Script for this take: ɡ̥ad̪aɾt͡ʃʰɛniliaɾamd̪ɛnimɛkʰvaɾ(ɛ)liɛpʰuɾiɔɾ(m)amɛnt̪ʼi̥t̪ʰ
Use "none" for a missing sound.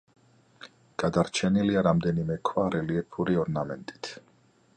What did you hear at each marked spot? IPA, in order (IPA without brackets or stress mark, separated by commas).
ɛ, n